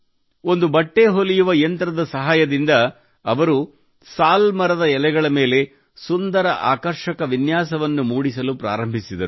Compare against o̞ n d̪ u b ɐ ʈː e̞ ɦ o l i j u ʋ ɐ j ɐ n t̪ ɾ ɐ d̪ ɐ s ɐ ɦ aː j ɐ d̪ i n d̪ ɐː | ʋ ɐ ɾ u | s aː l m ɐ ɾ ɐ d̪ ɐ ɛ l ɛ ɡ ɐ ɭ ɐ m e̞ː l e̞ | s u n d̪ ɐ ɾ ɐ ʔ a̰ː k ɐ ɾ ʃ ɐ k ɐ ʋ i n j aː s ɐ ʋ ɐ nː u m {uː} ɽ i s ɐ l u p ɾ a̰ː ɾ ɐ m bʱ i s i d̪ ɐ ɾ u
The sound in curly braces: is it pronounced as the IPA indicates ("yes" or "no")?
yes